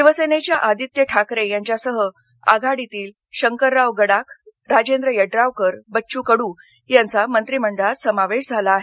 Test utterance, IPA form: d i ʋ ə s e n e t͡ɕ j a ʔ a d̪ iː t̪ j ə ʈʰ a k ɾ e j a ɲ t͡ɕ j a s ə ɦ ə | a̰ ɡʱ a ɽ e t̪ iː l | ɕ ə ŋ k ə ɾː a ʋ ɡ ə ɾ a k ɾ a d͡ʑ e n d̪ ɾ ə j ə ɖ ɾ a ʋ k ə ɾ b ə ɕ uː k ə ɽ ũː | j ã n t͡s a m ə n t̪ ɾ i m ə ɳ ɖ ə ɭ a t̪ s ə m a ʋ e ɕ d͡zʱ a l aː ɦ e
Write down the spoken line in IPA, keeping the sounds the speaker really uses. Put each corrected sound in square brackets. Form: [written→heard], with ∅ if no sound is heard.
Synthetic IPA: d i ʋ ə s e n e t͡ɕ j a ʔ a d̪ [iː→i] t̪ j ə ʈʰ a k ɾ e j a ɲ t͡ɕ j a s ə ɦ ə | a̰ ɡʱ a ɽ [e→i] t̪ iː l | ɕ ə ŋ k ə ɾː a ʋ ɡ ə [ɾ→ɽ] a k ɾ a d͡ʑ e n d̪ ɾ ə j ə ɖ ɾ a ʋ k ə ɾ b ə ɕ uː k ə ɽ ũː | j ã n t͡s a m ə n t̪ ɾ i m ə ɳ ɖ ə ɭ a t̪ s ə m a ʋ e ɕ d͡zʱ a l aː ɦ e